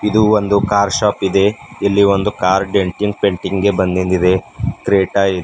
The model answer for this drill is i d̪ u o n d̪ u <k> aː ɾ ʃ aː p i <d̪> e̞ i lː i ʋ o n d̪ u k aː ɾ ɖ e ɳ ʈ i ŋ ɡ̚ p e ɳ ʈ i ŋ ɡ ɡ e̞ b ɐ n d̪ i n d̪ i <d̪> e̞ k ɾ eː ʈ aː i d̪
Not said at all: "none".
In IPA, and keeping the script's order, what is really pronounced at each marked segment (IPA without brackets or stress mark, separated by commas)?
k, d̪, d̪